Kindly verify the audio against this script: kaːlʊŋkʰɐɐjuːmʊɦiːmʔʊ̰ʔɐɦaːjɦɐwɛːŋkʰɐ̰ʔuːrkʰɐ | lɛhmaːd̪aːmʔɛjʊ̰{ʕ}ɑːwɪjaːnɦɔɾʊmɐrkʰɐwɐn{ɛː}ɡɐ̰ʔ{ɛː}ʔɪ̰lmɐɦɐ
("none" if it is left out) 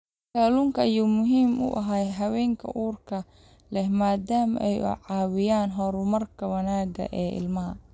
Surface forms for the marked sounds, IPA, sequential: ʕ, aː, ɛː

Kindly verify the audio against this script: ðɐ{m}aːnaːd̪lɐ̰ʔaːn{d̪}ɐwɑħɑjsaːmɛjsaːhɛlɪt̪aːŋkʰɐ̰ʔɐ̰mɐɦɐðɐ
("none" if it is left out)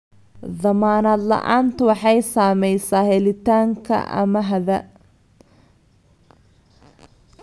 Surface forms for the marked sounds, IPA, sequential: m, t̪

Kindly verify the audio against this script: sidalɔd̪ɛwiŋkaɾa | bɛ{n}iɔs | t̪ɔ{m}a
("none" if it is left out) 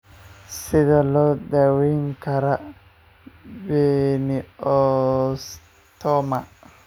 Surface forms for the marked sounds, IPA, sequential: n, m

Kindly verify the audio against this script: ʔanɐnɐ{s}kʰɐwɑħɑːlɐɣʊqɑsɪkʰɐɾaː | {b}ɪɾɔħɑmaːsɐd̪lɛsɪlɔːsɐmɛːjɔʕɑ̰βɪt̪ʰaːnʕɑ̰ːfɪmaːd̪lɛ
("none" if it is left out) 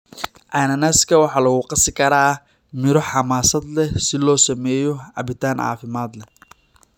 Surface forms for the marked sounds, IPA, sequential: s, m

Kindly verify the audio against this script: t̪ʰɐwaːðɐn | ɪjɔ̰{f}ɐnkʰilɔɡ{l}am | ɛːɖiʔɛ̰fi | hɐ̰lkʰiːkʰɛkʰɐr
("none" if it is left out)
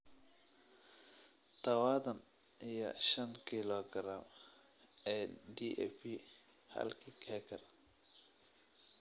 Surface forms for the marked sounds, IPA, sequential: ʃ, ɾ

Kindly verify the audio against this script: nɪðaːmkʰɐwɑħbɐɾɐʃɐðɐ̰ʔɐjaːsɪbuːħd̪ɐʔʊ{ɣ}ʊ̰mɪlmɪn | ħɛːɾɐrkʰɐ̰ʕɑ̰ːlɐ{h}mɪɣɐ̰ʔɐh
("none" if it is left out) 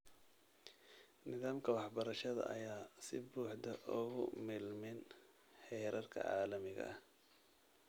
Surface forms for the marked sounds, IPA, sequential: ɣ, none

